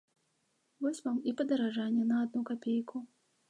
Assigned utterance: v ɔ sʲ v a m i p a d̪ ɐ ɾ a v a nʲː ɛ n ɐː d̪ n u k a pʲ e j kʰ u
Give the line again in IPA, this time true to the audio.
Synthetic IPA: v ɔ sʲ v a m i p ɐ d̪ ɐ ɾ a ʐ a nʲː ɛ n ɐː d̪ n u k a pʲ e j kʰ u